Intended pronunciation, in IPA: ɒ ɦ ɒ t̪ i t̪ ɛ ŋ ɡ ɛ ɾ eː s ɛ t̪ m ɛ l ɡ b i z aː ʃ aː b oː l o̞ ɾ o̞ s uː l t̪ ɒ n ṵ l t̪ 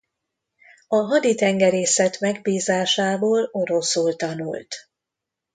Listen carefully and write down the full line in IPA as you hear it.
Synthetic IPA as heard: ɒ ɦ ɒ d̪ i t̪ ɛ ŋ ɡ ɛ ɾ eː s ɛ t̪ m ɛ ɡ b iː z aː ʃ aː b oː l o̞ ɾ o̞ s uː l t̪ ɒ n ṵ l t̪

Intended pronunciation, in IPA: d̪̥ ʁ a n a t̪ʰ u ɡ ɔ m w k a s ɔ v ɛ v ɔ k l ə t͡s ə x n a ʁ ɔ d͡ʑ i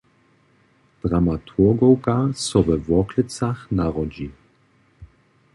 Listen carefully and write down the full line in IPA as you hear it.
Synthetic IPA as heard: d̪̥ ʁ a m a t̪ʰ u ɡ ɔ w k a s ɔ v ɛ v ɔ k l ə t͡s a x n a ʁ ɔ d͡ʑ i

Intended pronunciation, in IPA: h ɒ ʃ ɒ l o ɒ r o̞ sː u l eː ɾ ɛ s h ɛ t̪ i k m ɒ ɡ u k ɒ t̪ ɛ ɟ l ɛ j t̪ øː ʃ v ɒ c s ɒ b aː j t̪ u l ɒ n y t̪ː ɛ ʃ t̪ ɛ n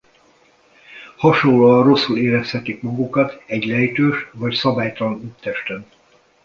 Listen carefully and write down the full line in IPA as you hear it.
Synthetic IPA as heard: h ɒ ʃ o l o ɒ r o̞ sː u l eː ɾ ɛ s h ɛ t̪ i k m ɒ ɡ u k ɒ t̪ ɛ ɟ l ɛ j t̪ øː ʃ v ɒ c s ɒ b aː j t̪ ɒ l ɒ n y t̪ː ɛ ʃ t̪ ɛ n

